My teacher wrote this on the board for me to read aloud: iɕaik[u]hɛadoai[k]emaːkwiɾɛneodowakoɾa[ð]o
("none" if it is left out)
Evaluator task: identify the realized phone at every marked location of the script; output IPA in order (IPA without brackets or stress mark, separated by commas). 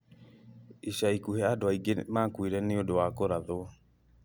u, ɡ, ð